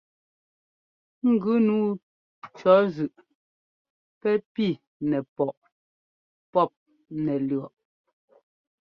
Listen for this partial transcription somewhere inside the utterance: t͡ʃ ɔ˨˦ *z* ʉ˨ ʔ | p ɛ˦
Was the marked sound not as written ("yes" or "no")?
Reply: no